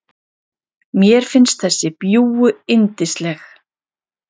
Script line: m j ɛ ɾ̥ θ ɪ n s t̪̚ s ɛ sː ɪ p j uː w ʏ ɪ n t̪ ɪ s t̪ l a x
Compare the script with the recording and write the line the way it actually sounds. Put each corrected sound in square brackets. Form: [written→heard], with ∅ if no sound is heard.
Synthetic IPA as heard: m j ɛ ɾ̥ [θ→f] ɪ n s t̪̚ [s→θ] ɛ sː ɪ p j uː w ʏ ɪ n t̪ ɪ s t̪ l [a→ɛ] x